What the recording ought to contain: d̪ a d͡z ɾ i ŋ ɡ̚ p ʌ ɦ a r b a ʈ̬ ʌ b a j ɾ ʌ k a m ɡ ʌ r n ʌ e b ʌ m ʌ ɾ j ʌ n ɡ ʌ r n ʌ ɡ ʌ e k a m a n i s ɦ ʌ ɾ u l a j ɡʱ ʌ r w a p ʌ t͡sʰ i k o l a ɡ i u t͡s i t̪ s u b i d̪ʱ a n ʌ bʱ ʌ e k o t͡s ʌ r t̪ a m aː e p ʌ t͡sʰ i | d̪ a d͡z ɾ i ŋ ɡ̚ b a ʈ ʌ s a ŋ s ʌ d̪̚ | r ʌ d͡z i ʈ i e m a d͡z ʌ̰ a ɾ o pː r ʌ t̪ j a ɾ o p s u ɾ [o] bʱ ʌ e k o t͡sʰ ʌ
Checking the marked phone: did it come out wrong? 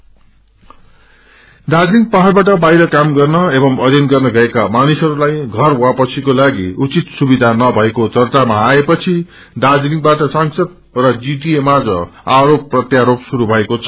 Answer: yes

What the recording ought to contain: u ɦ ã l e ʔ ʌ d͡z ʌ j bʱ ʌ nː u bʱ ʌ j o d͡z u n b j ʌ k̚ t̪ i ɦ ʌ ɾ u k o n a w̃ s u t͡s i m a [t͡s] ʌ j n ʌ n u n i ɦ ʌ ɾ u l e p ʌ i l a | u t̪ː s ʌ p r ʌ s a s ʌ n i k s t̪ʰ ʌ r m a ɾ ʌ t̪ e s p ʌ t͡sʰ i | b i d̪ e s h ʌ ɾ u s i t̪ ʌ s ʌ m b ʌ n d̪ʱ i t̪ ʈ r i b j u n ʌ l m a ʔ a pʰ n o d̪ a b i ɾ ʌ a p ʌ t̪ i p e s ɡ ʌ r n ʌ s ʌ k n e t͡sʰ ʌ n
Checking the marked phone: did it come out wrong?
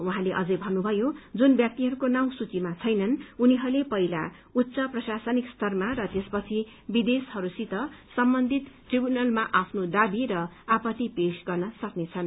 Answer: yes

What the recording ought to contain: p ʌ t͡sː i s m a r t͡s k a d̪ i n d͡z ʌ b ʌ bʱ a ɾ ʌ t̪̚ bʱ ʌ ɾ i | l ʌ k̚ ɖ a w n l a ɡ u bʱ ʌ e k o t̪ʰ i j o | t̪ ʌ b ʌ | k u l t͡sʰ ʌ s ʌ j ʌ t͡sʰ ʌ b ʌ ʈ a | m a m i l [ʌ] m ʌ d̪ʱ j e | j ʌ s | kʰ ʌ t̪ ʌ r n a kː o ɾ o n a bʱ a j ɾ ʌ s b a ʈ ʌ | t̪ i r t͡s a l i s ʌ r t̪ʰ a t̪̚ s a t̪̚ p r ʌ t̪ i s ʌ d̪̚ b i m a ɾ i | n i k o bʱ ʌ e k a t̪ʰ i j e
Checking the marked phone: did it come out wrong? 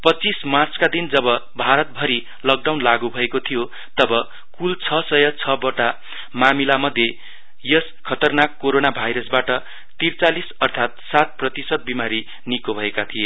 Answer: yes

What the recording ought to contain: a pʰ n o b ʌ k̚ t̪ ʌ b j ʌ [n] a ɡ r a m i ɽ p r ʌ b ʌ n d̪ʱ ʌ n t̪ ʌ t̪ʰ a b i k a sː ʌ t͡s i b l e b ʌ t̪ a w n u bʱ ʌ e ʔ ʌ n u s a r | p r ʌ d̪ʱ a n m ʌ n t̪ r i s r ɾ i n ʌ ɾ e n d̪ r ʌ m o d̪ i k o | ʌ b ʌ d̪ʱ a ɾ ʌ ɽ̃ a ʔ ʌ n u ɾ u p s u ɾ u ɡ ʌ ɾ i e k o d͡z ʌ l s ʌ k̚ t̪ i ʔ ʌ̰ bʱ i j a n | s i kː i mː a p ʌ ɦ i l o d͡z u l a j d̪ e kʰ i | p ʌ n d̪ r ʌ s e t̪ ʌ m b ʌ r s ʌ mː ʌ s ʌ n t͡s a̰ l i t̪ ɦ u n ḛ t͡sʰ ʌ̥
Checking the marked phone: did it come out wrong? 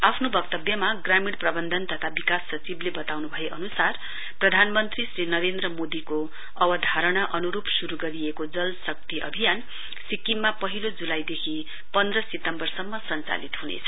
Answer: yes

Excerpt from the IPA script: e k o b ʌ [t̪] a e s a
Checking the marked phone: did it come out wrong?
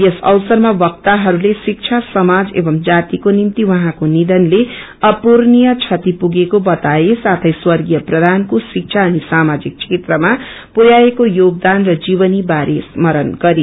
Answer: no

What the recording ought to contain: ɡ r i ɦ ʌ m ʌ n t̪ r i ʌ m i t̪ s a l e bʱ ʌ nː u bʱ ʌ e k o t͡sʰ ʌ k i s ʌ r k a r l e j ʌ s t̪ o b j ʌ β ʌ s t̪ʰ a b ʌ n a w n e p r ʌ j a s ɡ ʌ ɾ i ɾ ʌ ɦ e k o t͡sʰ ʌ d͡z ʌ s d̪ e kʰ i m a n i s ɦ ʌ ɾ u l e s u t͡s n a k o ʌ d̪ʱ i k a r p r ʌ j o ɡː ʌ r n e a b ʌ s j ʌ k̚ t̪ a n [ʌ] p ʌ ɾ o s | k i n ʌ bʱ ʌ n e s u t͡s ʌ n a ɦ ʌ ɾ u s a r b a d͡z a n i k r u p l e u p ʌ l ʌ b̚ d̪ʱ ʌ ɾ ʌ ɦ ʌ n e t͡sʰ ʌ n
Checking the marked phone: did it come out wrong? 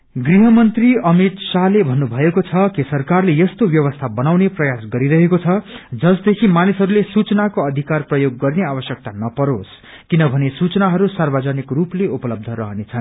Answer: no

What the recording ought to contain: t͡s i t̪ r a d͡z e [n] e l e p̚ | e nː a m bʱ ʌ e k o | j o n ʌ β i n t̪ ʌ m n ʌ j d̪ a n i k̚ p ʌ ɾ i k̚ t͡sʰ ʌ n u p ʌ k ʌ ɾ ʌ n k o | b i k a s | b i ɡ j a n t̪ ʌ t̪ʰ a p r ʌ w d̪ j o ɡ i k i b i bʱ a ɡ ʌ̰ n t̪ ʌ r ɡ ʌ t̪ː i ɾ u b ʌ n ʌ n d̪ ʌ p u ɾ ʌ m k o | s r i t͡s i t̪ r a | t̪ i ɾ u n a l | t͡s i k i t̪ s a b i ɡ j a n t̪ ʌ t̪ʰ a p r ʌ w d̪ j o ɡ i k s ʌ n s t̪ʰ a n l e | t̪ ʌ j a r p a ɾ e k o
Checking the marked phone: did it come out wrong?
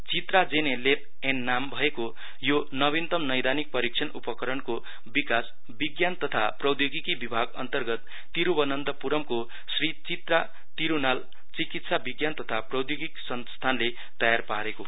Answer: no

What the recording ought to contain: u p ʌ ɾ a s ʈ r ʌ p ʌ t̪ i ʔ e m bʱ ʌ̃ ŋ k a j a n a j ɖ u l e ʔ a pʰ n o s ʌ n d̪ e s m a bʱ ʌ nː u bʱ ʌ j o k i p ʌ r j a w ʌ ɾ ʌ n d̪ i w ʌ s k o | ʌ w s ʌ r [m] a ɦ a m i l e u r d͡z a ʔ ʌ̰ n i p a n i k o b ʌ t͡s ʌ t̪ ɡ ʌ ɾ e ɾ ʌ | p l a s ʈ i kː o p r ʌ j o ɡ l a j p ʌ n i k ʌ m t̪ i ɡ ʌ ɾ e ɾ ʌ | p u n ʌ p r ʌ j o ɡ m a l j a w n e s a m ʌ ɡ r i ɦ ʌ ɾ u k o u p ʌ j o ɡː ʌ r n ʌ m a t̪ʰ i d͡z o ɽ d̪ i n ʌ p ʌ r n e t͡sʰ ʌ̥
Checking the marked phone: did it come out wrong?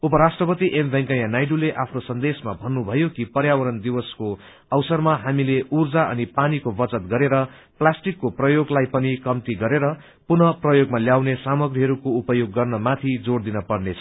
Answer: no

